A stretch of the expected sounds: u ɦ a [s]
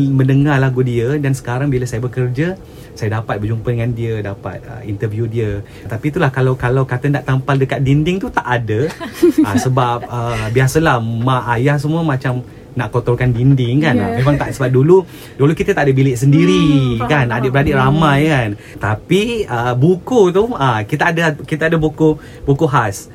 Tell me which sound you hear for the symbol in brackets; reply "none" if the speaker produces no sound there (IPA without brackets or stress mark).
s